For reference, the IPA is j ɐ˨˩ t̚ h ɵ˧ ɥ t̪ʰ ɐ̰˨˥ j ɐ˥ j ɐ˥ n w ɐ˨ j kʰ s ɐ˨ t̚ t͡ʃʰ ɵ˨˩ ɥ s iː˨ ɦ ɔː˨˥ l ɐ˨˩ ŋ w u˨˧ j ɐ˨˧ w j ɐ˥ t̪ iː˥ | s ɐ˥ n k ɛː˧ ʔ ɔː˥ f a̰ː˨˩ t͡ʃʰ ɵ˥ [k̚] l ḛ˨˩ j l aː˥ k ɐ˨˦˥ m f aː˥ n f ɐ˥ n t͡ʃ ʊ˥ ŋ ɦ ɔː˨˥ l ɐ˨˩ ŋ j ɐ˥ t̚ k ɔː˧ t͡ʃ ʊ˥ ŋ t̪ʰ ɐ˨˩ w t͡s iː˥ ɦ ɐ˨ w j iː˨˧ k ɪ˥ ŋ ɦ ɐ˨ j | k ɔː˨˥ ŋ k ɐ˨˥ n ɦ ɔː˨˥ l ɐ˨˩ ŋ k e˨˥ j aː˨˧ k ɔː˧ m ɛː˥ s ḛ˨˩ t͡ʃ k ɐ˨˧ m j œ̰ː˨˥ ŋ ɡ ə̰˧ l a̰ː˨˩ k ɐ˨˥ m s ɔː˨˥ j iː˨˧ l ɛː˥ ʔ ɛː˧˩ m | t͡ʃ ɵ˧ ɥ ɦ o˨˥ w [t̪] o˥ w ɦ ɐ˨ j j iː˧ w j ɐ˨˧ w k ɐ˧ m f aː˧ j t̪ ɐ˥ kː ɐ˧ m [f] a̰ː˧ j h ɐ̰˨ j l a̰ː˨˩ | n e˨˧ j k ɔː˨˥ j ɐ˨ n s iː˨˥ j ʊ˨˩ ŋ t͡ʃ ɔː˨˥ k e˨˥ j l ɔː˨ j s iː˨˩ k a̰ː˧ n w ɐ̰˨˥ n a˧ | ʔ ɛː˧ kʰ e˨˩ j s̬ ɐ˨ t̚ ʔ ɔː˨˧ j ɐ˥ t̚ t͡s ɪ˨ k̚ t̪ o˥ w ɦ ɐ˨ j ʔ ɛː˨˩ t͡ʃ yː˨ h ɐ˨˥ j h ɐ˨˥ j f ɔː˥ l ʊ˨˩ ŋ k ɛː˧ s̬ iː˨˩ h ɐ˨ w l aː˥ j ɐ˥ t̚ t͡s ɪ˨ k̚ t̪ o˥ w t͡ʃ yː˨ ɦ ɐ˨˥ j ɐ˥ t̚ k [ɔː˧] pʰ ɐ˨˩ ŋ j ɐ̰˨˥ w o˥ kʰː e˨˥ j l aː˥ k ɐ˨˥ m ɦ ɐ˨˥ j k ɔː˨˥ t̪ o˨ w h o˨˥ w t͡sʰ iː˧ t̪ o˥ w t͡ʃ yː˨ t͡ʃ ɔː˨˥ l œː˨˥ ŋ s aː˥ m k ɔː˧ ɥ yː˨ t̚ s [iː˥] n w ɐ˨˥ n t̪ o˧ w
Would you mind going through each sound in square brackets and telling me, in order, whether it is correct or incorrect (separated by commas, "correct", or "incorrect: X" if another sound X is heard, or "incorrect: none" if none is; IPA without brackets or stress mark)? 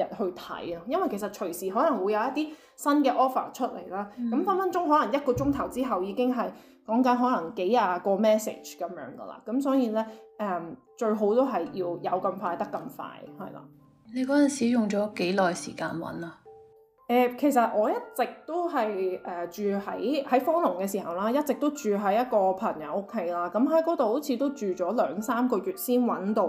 incorrect: t̚, correct, correct, correct, correct